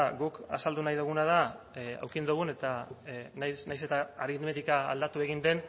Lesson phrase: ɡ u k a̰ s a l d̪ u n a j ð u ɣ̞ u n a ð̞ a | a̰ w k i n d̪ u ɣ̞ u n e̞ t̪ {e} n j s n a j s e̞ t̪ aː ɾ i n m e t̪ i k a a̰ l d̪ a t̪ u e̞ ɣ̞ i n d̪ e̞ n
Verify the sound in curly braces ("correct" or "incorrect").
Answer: incorrect